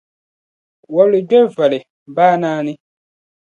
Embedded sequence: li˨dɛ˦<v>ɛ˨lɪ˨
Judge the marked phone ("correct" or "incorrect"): correct